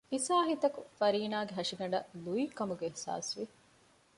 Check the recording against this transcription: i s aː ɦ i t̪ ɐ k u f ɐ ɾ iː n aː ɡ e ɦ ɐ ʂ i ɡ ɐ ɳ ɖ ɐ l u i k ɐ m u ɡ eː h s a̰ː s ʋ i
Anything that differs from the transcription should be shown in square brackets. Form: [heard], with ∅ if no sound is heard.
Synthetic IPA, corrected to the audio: i s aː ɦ i t̪ ɐ k u f ɐ ɾ iː n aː ɡ e ɦ ɐ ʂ i ɡ ɐ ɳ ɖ ɐ l u i k ɐ m u ɡ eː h s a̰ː s ʋ i